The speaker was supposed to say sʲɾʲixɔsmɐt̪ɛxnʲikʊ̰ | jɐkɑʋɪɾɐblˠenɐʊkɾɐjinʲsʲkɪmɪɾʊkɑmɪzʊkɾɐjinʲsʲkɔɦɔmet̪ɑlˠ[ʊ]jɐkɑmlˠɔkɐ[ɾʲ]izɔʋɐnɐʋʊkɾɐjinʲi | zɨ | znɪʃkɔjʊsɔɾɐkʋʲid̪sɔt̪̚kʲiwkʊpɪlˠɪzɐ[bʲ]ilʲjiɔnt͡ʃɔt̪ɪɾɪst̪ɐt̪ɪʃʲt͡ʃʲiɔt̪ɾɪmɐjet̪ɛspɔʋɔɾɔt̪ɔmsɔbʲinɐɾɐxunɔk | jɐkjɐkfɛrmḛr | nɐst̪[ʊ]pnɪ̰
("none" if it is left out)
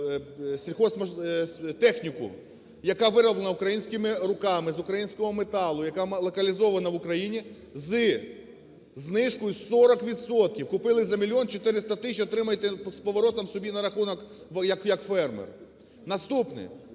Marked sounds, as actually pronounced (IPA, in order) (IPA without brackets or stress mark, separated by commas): ʊ, lʲ, mʲ, u